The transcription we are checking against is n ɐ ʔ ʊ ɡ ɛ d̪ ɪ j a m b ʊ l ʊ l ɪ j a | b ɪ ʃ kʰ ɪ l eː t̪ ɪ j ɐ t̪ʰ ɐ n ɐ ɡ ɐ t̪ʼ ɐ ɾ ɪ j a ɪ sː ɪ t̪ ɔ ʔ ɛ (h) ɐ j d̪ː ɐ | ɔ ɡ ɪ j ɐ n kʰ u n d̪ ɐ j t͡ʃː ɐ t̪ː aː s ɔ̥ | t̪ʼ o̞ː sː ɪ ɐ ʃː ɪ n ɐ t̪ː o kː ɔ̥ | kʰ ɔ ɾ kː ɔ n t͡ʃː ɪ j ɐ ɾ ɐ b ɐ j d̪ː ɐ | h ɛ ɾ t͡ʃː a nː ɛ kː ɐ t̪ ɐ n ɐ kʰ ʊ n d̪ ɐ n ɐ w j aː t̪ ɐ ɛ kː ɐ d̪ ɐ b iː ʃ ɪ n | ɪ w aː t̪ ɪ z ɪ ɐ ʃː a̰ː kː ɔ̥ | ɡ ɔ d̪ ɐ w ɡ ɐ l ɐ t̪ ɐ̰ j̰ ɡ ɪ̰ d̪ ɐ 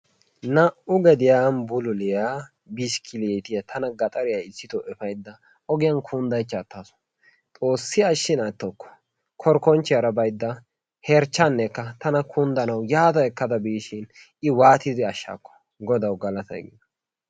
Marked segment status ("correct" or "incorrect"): incorrect